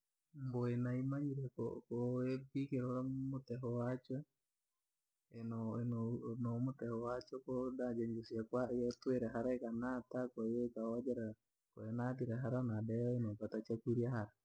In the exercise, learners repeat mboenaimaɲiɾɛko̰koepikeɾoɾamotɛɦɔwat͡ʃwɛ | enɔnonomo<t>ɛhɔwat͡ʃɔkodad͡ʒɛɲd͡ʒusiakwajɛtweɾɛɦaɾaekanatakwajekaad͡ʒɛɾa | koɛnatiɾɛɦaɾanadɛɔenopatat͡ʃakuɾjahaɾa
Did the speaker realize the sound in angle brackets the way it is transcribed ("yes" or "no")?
yes